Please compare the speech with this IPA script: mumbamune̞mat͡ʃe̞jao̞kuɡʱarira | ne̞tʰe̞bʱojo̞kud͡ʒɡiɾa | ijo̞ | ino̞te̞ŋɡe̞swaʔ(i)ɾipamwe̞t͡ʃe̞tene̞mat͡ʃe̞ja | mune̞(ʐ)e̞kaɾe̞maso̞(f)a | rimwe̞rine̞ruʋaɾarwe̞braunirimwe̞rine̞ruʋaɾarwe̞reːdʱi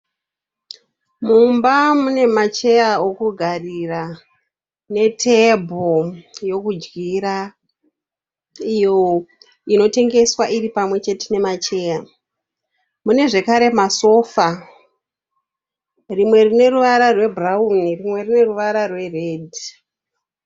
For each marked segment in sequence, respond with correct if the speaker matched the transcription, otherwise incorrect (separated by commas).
correct, correct, correct